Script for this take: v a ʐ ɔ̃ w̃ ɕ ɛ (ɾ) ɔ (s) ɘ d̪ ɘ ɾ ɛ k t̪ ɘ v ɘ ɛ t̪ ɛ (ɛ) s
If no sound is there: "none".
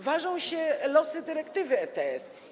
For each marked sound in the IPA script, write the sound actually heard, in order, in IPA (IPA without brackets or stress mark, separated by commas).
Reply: l, s, ɛ